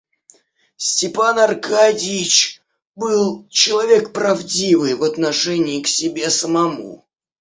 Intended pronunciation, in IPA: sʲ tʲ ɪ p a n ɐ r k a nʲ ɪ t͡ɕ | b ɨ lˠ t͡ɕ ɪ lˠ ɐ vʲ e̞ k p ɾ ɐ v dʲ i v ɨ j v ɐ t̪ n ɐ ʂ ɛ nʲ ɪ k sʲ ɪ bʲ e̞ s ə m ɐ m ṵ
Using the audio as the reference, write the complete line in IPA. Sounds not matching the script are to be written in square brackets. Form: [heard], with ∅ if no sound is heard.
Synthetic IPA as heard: sʲ tʲ ɪ p a n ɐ r k a [dʲ] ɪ t͡ɕ | b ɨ lˠ t͡ɕ ɪ lˠ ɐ vʲ e̞ k p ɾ ɐ v dʲ i v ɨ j v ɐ t̪ n ɐ ʂ ɛ nʲ [ɪː] k sʲ ɪ bʲ e̞ s ə m ɐ m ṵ